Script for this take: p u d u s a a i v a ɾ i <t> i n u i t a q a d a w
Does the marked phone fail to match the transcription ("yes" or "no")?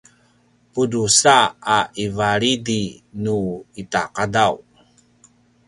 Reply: yes